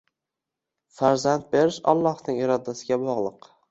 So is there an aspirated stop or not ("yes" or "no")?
no